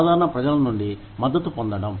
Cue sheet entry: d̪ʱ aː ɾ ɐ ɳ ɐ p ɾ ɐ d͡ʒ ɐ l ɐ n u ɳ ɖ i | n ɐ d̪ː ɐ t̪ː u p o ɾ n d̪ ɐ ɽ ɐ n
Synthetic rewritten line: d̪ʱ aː ɾ ɐ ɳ ɐ p ɾ ɐ d͡ʒ ɐ l ɐ n u ɳ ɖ i | m ɐ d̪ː ɐ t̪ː u p o n d̪ ɐ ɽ ɐ m